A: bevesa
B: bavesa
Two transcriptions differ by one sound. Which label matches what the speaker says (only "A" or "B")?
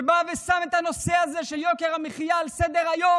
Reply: B